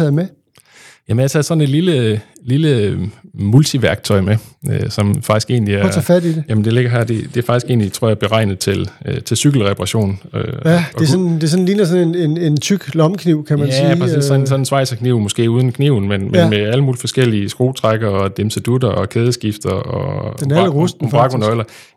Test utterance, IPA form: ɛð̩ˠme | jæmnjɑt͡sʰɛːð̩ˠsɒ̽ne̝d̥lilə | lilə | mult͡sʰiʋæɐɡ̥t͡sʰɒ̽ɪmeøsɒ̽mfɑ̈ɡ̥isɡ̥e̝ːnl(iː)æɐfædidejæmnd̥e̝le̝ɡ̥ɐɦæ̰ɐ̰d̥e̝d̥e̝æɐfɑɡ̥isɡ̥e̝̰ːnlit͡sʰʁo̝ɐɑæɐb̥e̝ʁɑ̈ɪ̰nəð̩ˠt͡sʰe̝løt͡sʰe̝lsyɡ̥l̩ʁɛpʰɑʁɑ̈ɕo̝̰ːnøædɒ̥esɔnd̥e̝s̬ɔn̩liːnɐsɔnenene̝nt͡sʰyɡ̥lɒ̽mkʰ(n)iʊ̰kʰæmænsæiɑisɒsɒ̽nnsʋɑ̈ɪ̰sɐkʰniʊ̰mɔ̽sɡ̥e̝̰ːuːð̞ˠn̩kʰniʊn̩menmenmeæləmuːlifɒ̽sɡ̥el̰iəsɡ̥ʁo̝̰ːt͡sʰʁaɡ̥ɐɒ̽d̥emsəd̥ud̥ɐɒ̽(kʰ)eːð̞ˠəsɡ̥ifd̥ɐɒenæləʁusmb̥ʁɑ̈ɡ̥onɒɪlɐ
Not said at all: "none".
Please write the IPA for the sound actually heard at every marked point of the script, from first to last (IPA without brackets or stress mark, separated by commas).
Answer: i, n, kʰ